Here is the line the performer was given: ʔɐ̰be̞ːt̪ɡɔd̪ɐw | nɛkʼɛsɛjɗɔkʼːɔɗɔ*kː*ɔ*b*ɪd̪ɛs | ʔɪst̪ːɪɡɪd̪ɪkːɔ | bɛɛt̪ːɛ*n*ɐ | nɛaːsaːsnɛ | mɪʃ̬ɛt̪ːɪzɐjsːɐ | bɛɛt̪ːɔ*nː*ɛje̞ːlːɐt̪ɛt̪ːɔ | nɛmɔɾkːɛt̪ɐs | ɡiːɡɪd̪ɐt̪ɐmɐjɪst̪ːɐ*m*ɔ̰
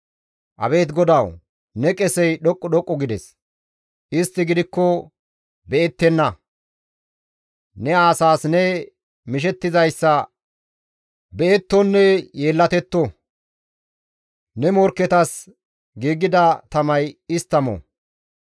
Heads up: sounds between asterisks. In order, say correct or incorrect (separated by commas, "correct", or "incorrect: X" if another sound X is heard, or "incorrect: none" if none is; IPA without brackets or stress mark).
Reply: incorrect: kʼː, incorrect: ɡ, incorrect: nː, correct, correct